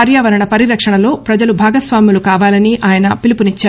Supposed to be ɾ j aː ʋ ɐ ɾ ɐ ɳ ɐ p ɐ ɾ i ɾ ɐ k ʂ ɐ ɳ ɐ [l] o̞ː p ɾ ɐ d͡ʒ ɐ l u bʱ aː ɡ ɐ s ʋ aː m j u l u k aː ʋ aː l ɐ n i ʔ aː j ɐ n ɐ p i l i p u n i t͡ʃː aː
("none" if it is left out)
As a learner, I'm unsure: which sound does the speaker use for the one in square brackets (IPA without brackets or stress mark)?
l